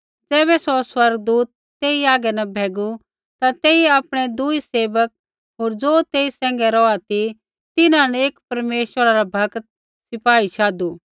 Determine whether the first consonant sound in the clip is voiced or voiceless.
voiced